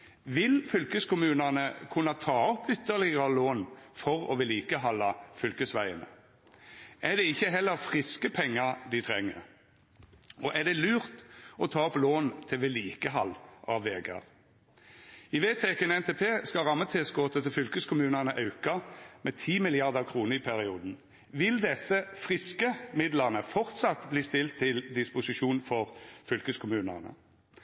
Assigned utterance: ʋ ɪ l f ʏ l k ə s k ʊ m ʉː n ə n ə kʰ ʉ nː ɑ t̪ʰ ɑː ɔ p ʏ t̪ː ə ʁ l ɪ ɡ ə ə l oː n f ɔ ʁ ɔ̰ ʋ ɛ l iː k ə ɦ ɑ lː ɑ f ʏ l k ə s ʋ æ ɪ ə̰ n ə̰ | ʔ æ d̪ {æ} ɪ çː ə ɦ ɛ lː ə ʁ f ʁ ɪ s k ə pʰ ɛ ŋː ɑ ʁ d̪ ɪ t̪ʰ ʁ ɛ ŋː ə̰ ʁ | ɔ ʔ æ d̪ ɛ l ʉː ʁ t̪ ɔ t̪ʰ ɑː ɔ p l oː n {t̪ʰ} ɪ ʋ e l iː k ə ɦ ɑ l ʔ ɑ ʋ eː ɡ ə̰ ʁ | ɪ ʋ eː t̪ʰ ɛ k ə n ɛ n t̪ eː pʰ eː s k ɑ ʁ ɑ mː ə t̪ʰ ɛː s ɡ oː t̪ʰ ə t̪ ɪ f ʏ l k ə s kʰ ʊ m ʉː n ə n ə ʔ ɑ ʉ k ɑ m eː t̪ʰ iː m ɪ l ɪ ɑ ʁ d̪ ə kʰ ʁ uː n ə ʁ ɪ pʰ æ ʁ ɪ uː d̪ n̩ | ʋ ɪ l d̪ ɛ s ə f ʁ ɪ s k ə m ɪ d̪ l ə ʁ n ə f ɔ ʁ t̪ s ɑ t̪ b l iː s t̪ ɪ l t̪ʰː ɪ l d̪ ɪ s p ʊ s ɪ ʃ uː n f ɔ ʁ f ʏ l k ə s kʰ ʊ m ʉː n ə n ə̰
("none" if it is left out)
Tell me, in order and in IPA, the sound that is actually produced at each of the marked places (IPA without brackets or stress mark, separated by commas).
ɛ, t̪ʰ